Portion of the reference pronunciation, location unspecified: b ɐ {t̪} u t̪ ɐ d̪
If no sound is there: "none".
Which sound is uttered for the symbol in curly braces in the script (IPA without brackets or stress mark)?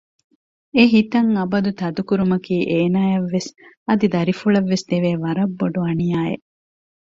d̪